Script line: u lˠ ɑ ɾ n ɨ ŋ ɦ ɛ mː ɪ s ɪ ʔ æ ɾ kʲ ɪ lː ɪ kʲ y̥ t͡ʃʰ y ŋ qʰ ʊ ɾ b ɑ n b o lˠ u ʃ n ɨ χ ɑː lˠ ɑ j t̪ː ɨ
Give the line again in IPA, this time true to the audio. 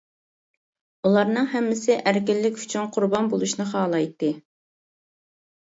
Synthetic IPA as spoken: u lˠ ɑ ɾ n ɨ ŋ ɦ ɛ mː ɪ s ɪ ʔ æ ɾ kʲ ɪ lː ɪ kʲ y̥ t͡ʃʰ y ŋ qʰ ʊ ɾ b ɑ n b o lˠ u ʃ n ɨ χ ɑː lˠ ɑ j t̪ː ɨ

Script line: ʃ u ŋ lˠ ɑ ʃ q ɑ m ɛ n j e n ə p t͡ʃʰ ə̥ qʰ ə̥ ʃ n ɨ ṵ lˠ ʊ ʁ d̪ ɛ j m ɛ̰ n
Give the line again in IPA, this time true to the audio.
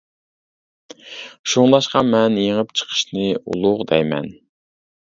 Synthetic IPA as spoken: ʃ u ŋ lˠ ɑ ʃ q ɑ m ɛ n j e ŋ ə p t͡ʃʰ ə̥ qʰ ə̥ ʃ n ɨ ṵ lˠ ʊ ʁ d̪ ɛ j m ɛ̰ n

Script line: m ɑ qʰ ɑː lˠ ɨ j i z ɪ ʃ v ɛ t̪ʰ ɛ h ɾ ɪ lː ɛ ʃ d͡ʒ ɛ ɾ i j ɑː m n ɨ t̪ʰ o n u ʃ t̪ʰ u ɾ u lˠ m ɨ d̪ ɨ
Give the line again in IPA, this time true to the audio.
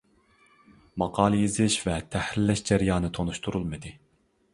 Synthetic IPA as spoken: m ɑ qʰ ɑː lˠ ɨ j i z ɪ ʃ v ɛ t̪ʰ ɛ h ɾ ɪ lː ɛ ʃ d͡ʒ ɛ ɾ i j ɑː n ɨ t̪ʰ o n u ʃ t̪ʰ u ɾ u lˠ m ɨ d̪ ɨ

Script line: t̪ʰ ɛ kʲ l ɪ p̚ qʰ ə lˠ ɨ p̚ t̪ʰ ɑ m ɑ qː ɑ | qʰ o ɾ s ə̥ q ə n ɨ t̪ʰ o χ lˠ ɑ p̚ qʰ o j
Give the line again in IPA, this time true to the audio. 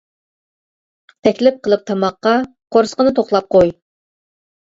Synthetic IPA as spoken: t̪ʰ ɛ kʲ l ɪ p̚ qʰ ə lˠ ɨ p̚ t̪ʰ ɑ m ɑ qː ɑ | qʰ o ɾ s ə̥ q ə n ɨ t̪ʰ o χ lˠ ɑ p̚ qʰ o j

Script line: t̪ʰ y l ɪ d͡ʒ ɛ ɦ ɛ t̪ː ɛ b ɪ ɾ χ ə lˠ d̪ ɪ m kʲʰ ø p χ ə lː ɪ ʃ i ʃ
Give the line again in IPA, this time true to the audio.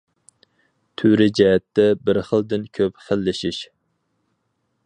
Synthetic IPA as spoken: t̪ʰ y ɾ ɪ d͡ʒ ɛ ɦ ɛ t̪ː ɛ b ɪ ɾ χ ə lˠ d̪ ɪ n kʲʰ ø p χ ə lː ɪ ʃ i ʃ

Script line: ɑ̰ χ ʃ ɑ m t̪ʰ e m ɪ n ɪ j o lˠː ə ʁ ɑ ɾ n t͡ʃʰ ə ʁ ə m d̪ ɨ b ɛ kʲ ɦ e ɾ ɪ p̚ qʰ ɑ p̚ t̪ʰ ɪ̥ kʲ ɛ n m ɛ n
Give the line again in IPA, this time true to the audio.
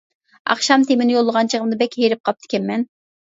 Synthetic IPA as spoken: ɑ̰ χ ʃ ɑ m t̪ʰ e m ɪ n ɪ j o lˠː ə ʁ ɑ n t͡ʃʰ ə ʁ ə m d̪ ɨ b ɛ kʲ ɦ e ɾ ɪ p̚ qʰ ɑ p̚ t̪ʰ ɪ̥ kʲ ɛ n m ɛ n

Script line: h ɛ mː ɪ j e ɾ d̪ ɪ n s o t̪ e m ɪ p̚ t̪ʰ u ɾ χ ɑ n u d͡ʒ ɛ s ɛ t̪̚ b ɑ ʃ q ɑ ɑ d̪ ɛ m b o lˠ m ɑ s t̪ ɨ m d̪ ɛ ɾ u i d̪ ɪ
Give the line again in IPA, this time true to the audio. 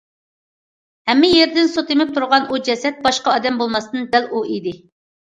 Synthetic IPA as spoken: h ɛ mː ɪ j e ɾ d̪ ɪ n s o t̪ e m ɪ p̚ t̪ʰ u ɾ ʁ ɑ n u d͡ʒ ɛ s ɛ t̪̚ b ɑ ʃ q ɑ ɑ d̪ ɛ m b o lˠ m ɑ s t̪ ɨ n d̪ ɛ l u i d̪ ɪ

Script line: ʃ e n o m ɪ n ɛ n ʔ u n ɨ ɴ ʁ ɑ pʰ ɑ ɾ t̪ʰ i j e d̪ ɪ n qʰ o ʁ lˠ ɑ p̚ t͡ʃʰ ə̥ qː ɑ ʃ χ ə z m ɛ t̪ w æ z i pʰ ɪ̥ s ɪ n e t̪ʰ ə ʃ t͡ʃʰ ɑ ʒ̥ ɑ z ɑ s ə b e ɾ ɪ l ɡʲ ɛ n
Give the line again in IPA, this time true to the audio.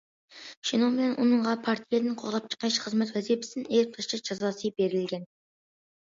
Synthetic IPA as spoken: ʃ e n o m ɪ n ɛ n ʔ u n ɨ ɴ ʁ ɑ pʰ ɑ ɾ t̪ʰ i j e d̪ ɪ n qʰ o ʁ lˠ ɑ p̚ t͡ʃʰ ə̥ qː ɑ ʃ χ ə z m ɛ t̪ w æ z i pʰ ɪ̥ s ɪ n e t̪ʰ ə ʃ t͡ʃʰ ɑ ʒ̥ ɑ z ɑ s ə b e ɾ ɪ l ɡʲ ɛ n

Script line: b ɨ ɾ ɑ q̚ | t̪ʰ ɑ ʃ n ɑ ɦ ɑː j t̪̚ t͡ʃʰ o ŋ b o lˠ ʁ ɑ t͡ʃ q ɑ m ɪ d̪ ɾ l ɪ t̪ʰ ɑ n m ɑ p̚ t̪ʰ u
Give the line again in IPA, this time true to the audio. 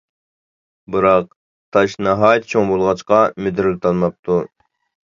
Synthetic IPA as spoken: b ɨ ɾ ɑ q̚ | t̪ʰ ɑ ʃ n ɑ ɦ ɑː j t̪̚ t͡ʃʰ o ŋ b o lˠ ʁ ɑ t͡ʃ q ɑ m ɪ d̪ ɾ l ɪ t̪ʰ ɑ n m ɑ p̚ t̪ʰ u

